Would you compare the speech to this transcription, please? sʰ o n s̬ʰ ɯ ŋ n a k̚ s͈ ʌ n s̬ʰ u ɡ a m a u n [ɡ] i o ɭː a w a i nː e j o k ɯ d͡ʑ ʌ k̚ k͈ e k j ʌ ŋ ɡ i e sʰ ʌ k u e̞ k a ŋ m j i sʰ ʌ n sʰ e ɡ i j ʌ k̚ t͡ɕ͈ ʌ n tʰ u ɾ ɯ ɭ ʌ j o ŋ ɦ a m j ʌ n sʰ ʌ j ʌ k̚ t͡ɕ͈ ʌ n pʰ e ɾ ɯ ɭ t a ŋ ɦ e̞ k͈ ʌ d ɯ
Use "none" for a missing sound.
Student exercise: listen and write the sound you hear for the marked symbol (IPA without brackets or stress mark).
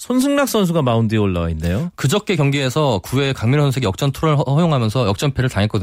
d